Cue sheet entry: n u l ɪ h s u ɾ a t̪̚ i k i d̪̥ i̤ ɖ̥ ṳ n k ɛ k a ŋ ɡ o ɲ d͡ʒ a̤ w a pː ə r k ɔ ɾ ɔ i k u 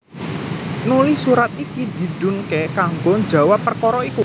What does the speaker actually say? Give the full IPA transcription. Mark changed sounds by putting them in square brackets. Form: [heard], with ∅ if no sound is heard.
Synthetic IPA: n u l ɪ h s u ɾ a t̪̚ i k i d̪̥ i̤ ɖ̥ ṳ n k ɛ k a ŋ ɡ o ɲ d͡ʒ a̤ w a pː ə r k ɔ ɾ ɔ i k u